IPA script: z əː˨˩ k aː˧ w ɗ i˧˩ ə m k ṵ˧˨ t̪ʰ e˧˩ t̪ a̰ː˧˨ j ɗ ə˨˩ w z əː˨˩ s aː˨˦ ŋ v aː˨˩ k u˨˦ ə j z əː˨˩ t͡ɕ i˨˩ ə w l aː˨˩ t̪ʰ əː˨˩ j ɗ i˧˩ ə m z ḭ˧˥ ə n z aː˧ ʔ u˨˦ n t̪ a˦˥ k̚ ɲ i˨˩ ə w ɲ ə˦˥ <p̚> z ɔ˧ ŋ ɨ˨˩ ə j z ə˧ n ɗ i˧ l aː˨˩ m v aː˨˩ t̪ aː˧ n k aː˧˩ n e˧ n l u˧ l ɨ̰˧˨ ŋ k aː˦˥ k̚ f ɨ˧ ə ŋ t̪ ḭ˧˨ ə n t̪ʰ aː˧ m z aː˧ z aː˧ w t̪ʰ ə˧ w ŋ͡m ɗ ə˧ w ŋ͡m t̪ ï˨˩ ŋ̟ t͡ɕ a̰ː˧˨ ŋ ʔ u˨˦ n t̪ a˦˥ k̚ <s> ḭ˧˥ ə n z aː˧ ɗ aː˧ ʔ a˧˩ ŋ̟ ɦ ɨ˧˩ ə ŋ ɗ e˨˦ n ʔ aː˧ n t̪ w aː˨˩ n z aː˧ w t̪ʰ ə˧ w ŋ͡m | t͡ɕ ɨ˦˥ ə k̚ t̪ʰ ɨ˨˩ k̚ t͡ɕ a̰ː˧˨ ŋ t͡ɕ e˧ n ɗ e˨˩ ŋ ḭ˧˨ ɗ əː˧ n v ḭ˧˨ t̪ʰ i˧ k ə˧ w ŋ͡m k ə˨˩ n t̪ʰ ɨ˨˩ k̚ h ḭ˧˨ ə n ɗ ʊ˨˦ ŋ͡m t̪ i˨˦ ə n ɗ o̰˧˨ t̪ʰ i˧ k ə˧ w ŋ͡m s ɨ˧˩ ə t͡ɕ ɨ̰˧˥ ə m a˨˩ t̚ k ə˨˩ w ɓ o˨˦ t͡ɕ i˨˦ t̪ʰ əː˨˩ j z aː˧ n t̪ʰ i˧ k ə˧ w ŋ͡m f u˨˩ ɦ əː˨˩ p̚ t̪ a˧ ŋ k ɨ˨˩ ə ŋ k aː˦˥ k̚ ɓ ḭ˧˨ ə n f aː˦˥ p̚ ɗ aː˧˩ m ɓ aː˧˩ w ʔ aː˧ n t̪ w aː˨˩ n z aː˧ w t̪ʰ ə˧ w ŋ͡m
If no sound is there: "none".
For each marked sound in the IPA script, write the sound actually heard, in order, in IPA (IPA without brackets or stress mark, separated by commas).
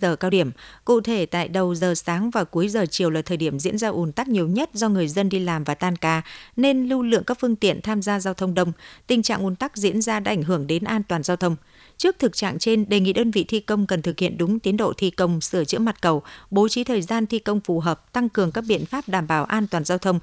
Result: t̚, z